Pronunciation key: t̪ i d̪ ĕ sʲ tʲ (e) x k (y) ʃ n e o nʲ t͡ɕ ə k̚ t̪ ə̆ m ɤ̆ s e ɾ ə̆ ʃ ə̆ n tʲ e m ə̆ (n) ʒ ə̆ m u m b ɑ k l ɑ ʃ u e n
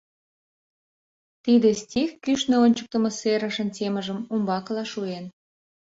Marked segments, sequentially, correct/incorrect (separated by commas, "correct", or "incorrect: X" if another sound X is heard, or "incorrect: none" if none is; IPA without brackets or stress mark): incorrect: i, correct, incorrect: none